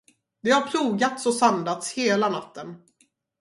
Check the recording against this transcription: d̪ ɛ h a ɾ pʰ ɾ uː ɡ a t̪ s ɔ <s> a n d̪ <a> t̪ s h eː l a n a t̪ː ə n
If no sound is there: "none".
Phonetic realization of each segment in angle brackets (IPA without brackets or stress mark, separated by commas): s, a